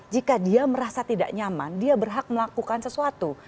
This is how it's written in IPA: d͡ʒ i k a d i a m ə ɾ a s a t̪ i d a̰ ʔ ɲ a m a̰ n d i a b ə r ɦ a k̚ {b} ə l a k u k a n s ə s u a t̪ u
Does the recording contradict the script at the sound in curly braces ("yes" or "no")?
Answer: yes